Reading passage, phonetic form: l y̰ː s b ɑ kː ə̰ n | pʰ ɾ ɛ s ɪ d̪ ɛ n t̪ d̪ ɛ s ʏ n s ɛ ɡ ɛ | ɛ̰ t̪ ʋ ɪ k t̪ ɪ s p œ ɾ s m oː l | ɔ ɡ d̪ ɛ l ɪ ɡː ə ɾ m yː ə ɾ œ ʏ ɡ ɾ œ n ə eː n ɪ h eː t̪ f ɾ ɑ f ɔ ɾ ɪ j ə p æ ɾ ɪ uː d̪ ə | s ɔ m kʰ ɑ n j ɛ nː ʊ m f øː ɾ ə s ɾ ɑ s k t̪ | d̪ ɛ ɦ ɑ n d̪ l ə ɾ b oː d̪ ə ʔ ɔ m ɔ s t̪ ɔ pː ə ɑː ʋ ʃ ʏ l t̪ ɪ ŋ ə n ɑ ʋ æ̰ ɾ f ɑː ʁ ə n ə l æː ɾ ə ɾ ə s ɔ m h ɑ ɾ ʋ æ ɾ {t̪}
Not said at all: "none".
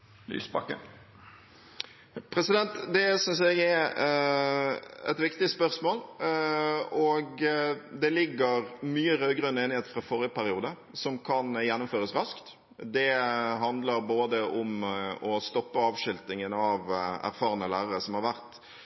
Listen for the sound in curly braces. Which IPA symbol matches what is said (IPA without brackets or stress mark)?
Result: t̪